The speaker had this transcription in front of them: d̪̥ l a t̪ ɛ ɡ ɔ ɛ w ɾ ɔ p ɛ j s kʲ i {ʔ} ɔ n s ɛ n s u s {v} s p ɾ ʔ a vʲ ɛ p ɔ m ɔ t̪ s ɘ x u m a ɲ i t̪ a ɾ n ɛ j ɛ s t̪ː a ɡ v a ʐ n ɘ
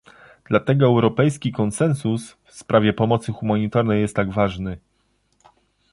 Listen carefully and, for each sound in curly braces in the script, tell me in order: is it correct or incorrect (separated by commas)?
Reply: incorrect, incorrect